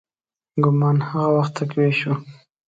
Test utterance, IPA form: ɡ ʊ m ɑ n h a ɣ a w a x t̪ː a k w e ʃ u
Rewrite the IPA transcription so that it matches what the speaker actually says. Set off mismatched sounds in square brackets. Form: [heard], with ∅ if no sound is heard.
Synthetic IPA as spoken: ɡ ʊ m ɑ n h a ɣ a w a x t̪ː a k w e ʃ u